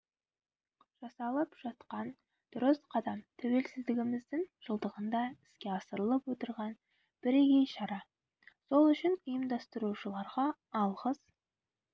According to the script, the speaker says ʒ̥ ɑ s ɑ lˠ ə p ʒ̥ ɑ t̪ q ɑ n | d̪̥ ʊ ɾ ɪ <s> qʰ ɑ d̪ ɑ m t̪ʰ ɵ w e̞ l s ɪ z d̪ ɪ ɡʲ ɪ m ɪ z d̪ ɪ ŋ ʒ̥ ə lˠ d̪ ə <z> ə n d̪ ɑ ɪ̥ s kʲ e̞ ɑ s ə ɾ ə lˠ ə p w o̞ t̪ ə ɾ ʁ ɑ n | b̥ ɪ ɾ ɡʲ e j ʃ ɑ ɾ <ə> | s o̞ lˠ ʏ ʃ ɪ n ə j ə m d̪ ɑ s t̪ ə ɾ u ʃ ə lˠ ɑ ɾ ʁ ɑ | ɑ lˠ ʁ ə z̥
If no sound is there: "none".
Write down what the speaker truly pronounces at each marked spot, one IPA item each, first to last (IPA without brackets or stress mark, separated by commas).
s, ʁ, ɑ